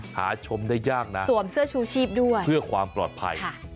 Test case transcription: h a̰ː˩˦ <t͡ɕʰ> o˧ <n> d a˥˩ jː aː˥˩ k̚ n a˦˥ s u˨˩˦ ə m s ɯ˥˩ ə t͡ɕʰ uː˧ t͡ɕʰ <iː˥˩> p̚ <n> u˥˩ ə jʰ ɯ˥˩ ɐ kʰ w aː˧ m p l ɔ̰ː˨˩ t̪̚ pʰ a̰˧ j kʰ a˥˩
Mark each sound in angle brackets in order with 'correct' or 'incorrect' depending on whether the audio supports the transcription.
correct, incorrect: m, correct, incorrect: d

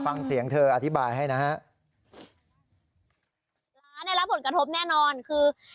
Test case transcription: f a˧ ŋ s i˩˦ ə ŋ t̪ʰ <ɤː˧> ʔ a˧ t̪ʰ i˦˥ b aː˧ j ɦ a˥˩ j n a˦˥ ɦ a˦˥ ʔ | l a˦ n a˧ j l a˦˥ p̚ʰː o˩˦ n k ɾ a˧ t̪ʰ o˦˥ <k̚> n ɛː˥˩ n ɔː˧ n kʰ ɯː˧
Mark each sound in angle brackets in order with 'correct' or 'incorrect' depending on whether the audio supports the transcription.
correct, incorrect: p̚

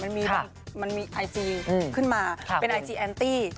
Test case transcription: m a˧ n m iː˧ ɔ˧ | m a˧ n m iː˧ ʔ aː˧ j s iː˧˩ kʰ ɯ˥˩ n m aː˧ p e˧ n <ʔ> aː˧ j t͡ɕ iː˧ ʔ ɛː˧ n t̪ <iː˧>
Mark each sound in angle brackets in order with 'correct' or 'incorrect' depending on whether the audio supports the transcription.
correct, incorrect: iː˥˩

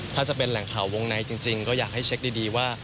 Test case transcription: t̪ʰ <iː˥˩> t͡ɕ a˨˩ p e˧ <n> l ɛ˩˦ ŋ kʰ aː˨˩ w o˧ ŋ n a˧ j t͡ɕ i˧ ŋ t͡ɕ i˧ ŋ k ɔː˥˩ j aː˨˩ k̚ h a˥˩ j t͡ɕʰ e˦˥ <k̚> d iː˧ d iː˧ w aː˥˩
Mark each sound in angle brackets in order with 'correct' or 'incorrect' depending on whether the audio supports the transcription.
incorrect: aː˥˩, correct, correct

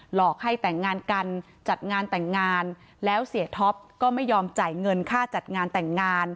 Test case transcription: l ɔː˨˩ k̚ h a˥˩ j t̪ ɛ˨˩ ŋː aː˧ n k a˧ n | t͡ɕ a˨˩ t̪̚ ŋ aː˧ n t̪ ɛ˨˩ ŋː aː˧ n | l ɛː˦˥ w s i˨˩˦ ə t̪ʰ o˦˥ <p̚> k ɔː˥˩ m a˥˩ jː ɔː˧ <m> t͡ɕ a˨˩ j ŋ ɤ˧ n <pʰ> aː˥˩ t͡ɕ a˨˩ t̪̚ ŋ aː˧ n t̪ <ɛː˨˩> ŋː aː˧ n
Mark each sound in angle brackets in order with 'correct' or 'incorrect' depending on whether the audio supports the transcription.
correct, correct, incorrect: kʰ, incorrect: ɛ˨˩

